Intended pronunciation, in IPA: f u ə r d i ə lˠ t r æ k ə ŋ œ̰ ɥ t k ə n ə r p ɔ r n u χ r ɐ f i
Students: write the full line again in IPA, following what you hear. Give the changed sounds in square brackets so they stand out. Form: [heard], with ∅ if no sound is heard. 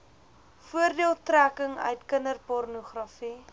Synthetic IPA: f u ə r d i ə lˠ t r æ k ə ŋ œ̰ ɥ t k ə n ə r p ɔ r n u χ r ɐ f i